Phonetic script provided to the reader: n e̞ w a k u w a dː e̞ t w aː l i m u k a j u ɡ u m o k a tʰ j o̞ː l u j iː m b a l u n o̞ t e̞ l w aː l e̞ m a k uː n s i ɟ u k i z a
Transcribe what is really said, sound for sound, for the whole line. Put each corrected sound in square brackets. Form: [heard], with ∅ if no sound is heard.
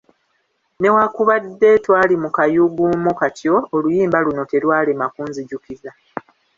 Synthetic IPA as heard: n e̞ w a k u [β] a dː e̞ t w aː l i m u k a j u ɡ u m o k a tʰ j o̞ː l u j iː m b a l u n o̞ t e̞ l w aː l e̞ m a k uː n [z] i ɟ u k i z a